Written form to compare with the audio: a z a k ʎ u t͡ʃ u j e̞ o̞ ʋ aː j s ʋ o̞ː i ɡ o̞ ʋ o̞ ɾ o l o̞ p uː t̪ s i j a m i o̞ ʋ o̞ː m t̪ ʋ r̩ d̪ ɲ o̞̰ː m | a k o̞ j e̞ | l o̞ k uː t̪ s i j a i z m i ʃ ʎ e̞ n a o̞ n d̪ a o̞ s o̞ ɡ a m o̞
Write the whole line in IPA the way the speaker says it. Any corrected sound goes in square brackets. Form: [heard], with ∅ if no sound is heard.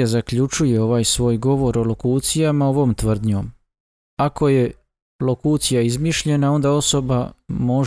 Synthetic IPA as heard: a z a k ʎ u t͡ʃ u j e̞ o̞ ʋ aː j s ʋ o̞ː [j] ɡ o̞ ʋ o̞ ɾ o l o̞ [k] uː t̪ s i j a m [a] o̞ ʋ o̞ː m t̪ ʋ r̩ d̪ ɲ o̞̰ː m | a k o̞ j e̞ | l o̞ k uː t̪ s i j a i z m i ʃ ʎ e̞ n a o̞ n d̪ a o̞ s o̞ [b] a m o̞